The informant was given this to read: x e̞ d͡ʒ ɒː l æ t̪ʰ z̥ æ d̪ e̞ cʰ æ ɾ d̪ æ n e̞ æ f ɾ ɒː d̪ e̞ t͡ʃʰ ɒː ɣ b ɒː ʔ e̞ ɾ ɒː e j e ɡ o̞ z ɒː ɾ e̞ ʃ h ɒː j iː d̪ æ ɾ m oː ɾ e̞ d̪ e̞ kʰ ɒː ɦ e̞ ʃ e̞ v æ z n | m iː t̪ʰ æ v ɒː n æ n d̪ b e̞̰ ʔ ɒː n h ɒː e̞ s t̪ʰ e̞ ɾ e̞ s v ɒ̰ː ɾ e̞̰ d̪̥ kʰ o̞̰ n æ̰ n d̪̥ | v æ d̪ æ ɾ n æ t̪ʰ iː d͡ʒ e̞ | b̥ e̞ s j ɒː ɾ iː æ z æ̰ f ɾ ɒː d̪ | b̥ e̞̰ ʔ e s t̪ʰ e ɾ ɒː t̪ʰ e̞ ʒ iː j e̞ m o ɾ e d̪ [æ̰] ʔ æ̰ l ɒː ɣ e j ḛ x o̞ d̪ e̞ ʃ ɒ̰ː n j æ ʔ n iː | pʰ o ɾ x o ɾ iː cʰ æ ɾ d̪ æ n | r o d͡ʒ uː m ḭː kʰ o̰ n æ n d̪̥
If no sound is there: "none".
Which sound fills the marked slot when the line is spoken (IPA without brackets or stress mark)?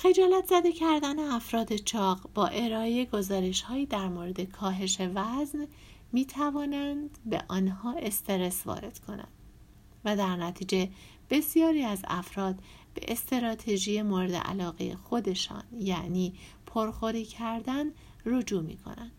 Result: ḛ